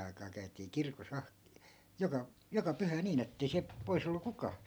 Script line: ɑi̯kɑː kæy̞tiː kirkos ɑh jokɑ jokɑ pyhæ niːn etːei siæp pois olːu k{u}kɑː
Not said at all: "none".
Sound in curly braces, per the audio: u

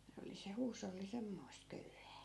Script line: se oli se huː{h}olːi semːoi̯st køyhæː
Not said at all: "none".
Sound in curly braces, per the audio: s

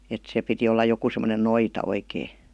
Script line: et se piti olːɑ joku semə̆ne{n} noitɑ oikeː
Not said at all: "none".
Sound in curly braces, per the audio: n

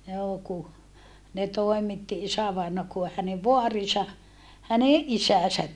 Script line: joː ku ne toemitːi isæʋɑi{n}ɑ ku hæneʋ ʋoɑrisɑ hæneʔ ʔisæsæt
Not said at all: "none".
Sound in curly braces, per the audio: n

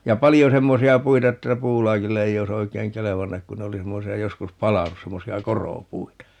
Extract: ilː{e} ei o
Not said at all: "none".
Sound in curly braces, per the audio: e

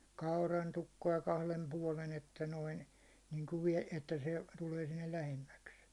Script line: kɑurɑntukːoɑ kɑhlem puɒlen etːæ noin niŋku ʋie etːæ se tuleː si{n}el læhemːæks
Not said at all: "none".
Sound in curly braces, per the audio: nː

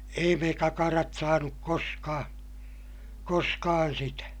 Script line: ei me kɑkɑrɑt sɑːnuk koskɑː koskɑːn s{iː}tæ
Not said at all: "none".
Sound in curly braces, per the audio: i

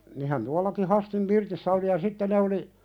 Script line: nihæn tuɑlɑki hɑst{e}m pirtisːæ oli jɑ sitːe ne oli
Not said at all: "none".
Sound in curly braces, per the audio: i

